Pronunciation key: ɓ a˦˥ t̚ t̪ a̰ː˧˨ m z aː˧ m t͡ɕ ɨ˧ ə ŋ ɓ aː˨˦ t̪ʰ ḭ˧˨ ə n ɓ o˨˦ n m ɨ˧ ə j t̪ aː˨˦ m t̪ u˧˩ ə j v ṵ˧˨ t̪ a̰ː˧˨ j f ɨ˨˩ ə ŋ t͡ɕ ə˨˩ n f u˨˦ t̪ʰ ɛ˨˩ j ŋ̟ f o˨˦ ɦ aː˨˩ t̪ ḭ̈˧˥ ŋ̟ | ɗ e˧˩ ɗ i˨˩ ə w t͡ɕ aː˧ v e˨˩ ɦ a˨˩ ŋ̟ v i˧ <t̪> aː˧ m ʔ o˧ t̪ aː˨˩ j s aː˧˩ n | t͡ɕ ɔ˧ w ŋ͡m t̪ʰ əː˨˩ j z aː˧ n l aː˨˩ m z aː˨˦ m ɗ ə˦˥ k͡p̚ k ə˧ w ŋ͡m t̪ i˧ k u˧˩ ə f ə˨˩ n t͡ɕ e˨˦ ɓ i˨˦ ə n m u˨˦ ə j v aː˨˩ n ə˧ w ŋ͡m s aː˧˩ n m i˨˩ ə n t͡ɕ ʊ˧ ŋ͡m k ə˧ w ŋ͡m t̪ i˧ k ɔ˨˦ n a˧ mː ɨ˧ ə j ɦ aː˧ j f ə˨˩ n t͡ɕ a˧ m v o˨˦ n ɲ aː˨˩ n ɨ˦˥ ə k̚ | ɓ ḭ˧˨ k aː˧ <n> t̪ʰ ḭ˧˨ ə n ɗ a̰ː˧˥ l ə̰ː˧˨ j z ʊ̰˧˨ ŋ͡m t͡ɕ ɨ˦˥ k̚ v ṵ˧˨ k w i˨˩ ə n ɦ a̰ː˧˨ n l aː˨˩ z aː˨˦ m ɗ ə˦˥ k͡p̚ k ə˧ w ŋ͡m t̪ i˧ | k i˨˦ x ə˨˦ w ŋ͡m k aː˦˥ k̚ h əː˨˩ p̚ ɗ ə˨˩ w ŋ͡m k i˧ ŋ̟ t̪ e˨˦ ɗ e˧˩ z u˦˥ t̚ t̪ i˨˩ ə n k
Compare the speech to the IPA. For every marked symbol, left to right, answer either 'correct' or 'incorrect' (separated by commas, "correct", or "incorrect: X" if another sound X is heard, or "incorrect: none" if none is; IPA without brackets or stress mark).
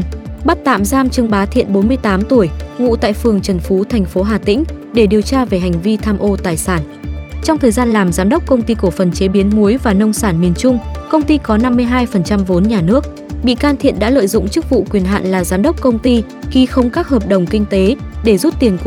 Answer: incorrect: t̪ʰ, correct